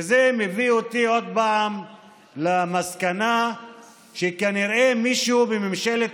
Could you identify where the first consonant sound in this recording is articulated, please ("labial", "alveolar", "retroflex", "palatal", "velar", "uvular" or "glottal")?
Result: alveolar